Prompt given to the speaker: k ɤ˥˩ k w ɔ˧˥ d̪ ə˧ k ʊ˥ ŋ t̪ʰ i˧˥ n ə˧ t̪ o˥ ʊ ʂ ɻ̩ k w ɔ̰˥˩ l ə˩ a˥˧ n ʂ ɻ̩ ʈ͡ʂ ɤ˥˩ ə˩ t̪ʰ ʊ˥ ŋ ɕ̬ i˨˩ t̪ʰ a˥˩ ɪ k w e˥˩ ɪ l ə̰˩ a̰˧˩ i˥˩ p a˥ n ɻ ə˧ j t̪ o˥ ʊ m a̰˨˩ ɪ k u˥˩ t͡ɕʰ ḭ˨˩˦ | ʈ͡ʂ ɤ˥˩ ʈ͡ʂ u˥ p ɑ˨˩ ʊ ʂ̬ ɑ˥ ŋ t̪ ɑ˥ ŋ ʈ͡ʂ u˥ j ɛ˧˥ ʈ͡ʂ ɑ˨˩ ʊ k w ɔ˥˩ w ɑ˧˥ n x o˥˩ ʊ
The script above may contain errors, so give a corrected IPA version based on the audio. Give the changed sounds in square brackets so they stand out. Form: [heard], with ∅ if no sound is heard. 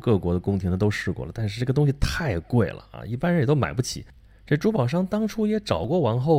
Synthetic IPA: k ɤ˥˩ k w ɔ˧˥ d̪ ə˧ k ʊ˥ ŋ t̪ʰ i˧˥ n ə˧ t̪ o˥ ʊ ʂ ɻ̩ k w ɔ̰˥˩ l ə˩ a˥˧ n ʂ ɻ̩ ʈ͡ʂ ɤ˥˩ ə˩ [t̪] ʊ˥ ŋ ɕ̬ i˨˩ t̪ʰ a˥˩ ɪ k w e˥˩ ɪ l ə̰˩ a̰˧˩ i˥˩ p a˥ n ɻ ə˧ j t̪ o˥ ʊ m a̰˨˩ ɪ [p] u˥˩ t͡ɕʰ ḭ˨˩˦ | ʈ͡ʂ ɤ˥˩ ʈ͡ʂ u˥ p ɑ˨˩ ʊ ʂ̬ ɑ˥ ŋ t̪ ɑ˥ ŋ [ʈ͡ʂʰ] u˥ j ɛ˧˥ ʈ͡ʂ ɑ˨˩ ʊ k w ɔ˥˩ w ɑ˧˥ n x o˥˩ ʊ